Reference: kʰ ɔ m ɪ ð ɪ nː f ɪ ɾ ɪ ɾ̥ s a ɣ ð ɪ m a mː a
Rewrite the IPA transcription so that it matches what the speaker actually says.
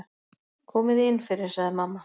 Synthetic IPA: kʰ ɔː m ɪ ð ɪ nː f ɪ ɾ ɪ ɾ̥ s a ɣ ð ɪ m a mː a